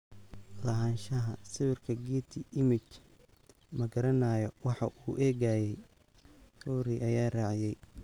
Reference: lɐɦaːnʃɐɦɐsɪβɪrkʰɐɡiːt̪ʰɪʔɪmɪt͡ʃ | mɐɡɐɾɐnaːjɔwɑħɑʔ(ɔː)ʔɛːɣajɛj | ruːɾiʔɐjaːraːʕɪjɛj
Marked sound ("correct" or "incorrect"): incorrect